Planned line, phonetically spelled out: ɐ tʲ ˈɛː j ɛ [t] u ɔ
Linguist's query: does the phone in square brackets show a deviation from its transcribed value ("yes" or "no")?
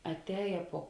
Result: yes